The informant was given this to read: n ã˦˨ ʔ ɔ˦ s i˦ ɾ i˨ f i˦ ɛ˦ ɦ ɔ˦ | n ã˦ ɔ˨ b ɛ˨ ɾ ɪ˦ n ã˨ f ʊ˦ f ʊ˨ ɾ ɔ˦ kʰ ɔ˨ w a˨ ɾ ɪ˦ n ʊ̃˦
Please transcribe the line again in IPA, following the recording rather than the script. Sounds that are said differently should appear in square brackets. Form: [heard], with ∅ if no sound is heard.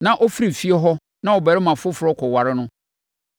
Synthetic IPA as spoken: n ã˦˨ ʔ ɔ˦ [f] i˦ ɾ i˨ f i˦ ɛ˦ ɦ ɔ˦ | n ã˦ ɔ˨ b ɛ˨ ɾ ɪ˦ [m] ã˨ f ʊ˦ f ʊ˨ ɾ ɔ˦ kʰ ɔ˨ w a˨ ɾ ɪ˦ n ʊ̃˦